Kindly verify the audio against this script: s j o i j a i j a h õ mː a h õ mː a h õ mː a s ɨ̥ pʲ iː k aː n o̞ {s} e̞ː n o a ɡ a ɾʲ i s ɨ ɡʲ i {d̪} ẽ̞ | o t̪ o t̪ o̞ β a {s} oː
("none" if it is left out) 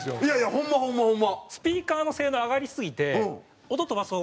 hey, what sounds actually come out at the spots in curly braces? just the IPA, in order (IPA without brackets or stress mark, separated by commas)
s, t̪, s